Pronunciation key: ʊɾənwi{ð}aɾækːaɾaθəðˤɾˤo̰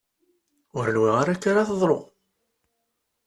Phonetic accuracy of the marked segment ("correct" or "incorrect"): incorrect